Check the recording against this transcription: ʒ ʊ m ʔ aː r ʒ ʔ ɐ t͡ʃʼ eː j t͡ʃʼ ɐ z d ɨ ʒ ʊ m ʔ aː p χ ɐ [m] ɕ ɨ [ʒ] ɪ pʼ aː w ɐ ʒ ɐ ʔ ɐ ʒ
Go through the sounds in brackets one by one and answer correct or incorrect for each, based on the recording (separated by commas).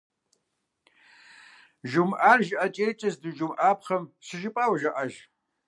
correct, correct